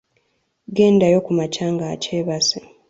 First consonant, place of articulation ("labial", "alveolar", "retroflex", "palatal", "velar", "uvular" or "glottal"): velar